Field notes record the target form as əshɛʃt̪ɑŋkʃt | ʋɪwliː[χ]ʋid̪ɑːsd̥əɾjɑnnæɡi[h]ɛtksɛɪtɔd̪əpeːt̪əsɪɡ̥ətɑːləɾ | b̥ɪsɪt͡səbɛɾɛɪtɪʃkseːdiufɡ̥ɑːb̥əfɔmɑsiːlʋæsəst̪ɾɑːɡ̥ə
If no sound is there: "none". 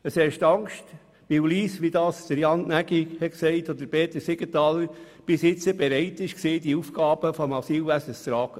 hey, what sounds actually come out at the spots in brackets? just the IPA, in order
s, h

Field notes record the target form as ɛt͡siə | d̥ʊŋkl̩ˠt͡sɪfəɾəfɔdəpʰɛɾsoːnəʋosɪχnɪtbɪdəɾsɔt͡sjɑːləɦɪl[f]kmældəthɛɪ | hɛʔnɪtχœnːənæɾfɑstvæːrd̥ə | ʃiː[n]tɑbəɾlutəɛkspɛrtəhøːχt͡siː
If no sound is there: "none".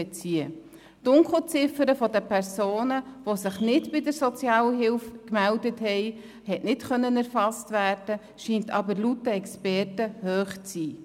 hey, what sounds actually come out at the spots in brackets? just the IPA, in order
f, n

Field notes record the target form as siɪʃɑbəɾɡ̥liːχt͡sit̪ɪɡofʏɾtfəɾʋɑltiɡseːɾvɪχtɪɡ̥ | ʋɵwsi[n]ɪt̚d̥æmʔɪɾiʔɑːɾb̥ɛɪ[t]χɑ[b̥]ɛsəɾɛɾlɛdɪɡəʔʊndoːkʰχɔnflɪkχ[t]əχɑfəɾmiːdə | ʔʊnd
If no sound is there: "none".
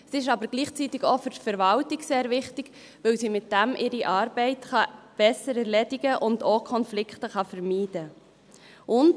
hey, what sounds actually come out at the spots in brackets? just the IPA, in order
m, t, b̥, t

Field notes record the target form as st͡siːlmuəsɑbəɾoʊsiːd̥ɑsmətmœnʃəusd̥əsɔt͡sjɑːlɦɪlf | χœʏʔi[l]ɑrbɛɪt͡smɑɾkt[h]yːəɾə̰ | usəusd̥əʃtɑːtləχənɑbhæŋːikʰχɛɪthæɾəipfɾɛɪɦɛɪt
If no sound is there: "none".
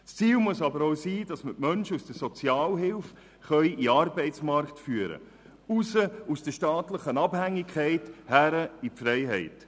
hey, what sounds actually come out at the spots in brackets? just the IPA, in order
none, f

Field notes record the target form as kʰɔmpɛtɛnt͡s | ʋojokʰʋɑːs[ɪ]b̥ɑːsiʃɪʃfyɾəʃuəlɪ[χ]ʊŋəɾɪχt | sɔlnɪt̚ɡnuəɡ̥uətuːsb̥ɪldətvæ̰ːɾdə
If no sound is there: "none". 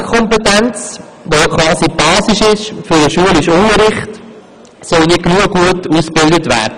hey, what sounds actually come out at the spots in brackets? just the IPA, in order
i, ʃ

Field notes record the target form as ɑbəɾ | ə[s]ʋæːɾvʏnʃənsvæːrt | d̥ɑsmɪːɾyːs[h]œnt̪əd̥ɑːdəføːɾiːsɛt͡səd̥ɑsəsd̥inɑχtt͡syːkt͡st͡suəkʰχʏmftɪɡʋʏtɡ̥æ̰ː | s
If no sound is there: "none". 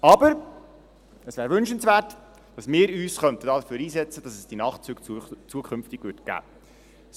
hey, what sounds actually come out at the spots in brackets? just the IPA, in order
s, χ

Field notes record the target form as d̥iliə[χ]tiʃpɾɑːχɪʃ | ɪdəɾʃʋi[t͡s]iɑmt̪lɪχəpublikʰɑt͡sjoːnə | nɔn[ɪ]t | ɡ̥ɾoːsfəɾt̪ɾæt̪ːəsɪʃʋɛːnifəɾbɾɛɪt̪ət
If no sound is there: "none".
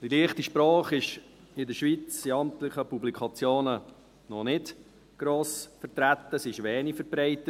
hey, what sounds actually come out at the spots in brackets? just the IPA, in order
χ, t͡s, ɪ

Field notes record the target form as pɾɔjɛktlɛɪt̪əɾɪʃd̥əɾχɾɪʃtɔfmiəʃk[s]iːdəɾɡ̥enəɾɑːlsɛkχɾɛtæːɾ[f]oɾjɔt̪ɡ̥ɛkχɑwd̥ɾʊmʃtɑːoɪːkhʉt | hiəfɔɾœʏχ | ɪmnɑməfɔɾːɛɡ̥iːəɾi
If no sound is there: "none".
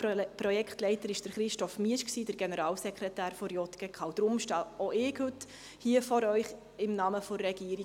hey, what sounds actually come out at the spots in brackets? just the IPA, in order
s, f

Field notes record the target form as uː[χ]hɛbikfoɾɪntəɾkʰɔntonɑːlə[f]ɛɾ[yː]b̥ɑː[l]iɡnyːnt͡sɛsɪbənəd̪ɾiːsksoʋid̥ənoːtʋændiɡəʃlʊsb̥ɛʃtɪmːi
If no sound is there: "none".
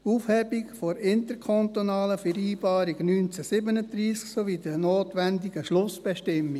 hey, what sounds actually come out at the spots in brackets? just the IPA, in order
f, f, iː, ɾ

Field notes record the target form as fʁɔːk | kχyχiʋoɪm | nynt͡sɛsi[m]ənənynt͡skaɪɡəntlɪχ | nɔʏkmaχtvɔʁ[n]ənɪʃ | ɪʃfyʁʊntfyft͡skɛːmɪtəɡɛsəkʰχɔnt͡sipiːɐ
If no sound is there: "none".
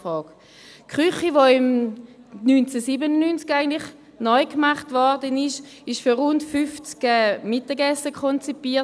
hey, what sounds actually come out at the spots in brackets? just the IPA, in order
b, d

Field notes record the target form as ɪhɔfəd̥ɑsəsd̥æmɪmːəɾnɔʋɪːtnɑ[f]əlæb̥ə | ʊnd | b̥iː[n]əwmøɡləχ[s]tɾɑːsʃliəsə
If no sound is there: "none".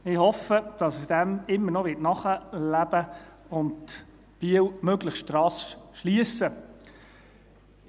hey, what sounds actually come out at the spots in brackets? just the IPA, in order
χ, none, ʃ

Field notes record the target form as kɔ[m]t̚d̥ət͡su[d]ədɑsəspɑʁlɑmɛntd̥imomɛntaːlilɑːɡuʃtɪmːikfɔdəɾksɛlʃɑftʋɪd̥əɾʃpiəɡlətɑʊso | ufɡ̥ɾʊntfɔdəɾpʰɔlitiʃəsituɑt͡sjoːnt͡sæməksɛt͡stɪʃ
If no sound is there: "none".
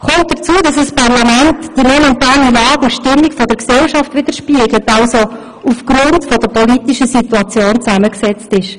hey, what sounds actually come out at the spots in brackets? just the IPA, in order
m, none

